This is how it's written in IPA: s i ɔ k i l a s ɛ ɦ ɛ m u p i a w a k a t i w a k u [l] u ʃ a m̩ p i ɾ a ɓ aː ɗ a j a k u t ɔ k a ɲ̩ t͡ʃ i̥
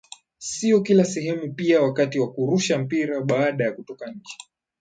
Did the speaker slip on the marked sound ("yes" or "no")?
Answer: yes